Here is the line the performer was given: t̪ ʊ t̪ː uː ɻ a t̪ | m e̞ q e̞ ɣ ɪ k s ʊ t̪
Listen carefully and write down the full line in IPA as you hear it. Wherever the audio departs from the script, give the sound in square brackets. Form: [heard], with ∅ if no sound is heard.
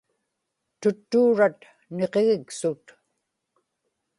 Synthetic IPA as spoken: t̪ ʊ t̪ː uː ɻ a t̪ | [n] e̞ q e̞ ɣ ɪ k s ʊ t̪